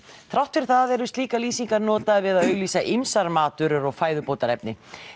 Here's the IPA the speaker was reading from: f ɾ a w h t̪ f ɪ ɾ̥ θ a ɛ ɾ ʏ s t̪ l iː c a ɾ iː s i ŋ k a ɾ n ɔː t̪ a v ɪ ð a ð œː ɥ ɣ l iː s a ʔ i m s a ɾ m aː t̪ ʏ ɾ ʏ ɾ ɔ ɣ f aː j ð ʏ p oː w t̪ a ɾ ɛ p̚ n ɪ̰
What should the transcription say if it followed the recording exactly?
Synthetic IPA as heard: θ ɾ a w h t̪ f ɪ ɾ̥ θ a ɛ ɾ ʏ s t̪ l iː k a l iː s i ŋ k a ɾ n ɔː t̪ a v ɪ ð a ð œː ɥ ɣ l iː s a ʔ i m s a ɾ m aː t̪ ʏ ɾ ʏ ɾ ɔ ɣ f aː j ð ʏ p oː w t̪ a ɾ ɛ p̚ n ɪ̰